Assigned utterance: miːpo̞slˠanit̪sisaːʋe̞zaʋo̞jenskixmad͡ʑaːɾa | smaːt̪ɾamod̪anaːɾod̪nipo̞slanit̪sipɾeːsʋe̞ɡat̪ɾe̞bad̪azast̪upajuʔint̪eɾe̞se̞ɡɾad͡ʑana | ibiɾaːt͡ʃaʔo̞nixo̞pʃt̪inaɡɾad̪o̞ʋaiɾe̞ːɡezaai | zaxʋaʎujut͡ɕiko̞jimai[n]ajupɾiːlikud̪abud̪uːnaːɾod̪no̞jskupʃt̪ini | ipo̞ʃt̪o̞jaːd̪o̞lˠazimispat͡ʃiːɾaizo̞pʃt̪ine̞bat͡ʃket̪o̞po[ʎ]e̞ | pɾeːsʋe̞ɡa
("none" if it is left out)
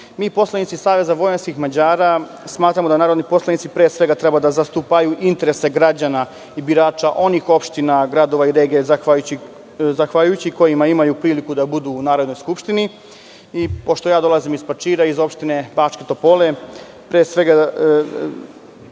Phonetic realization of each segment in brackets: m, l

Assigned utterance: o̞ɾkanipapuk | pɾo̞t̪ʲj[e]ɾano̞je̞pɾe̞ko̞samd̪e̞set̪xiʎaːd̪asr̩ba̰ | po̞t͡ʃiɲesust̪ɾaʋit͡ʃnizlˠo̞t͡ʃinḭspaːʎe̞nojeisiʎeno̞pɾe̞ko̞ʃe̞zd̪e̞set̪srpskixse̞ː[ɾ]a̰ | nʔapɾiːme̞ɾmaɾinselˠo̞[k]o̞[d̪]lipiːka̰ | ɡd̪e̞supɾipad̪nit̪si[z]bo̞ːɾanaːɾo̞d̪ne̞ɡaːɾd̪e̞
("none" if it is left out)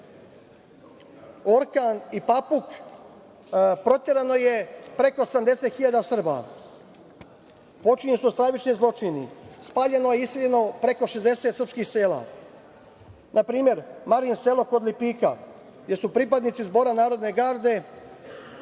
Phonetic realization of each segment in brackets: e, l, k, d̪, z

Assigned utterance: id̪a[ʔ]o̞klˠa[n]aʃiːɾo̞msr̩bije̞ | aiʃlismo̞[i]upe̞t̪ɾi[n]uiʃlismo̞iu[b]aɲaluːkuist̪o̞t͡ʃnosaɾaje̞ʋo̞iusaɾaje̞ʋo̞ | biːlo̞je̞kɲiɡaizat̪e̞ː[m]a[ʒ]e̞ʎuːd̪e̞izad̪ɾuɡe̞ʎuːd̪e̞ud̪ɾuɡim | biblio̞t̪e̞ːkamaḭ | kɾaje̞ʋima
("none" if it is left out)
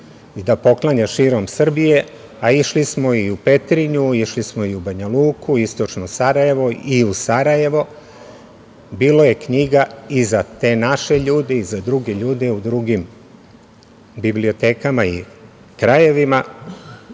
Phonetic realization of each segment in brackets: p, ɲ, i, ɲ, b, n, ʃ

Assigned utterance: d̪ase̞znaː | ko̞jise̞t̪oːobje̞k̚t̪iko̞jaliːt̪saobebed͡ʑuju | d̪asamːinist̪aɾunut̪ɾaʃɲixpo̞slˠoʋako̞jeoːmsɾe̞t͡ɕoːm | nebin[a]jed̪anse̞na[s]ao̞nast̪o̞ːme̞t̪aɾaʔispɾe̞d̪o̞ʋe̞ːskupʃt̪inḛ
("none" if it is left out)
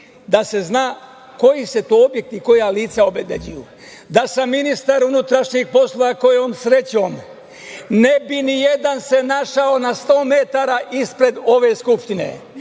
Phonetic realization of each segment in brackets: i, ʃ

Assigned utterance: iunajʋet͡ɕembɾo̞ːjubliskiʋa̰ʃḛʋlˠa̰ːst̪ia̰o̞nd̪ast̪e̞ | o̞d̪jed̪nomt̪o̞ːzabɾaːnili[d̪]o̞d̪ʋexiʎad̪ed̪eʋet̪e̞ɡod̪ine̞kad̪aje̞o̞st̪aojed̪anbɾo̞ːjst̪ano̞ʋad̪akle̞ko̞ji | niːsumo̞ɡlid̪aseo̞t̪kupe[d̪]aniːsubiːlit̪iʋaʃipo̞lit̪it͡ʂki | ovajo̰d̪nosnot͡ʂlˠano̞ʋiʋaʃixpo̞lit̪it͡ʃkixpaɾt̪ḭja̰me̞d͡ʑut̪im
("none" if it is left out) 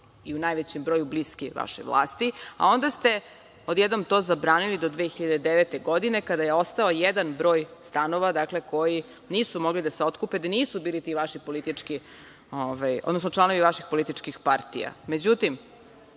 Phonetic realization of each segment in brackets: d̪, d̪

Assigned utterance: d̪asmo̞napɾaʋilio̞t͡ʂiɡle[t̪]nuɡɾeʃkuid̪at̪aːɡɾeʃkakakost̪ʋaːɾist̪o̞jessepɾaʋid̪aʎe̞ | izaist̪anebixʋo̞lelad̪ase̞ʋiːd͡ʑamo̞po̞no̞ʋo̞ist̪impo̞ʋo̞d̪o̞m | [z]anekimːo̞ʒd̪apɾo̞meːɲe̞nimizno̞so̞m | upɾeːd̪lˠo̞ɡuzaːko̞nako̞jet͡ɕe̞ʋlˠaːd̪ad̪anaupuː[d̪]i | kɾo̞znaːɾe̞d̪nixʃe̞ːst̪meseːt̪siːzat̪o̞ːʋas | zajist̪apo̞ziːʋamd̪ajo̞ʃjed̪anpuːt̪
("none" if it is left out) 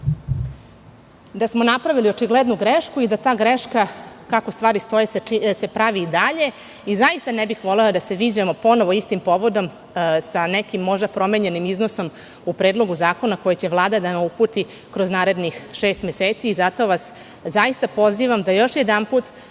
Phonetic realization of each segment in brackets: d̪, s, t̪

